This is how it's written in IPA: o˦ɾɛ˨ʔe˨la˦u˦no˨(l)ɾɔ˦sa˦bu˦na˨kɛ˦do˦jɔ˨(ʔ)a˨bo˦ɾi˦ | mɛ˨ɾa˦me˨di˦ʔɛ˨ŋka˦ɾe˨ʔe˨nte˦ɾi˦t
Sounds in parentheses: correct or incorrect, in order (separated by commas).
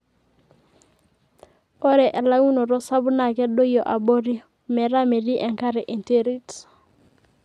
incorrect, correct